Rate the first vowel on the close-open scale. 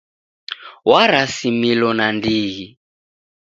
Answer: open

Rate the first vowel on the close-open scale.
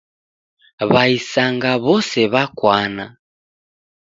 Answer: open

